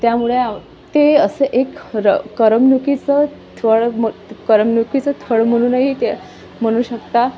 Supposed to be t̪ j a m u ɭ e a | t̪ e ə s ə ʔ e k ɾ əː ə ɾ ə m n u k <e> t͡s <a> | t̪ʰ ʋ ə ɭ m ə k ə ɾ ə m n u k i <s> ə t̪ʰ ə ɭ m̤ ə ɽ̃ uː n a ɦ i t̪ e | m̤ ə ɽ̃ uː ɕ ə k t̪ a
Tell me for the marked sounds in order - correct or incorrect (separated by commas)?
incorrect, incorrect, incorrect